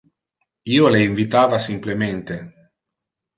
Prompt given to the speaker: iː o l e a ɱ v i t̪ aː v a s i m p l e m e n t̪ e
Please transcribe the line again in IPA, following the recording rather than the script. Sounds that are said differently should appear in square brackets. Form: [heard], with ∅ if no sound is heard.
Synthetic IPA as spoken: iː o l e [i] ɱ v i t̪ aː v a s i m p l e m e n t̪ e